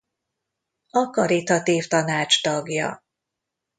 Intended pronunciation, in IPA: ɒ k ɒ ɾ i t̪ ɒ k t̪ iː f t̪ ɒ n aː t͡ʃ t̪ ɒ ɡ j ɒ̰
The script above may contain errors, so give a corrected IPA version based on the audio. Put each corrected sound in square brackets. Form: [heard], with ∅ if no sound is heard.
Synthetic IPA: ɒ k ɒ ɾ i t̪ ɒ [∅] t̪ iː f t̪ ɒ n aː t͡ʃ t̪ ɒ ɡ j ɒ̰